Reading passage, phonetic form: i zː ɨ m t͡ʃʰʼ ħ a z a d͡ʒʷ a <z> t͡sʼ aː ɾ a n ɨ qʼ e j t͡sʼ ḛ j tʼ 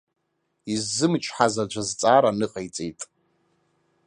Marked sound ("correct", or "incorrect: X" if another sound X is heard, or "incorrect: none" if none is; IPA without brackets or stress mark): correct